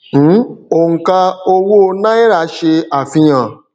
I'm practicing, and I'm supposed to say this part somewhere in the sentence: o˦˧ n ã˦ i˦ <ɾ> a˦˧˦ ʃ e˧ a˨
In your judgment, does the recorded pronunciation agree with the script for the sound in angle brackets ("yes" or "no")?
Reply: yes